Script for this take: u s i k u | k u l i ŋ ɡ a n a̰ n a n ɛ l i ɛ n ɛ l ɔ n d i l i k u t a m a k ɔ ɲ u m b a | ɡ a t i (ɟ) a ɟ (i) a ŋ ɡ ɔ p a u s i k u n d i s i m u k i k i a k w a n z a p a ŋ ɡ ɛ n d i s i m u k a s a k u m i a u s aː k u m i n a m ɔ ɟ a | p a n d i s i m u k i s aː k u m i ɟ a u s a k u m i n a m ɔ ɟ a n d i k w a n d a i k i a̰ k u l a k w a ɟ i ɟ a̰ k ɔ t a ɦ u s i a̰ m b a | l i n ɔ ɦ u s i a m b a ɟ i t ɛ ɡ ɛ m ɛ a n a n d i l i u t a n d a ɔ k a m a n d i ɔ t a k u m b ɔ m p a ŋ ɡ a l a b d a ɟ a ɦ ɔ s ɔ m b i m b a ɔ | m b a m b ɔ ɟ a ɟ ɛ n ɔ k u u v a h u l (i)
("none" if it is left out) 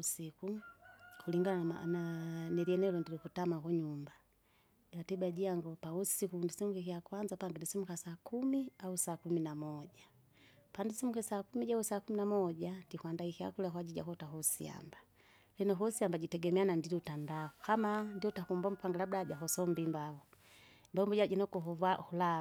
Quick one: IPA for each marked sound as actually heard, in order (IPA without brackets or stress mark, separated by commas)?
b, i, a